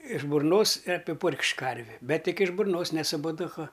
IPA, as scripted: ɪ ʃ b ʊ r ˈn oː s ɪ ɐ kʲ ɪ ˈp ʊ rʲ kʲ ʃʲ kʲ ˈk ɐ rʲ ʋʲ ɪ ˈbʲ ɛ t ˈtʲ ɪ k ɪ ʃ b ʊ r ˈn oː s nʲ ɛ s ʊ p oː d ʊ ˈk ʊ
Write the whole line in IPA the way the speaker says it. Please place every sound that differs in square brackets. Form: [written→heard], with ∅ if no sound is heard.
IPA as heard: ɪ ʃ b ʊ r ˈn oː s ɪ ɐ [kʲ→pʲ] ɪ ˈp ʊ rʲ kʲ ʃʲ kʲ ˈk ɐ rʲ ʋʲ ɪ ˈbʲ ɛ t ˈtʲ ɪ k ɪ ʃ b ʊ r ˈn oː s nʲ ɛ s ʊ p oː d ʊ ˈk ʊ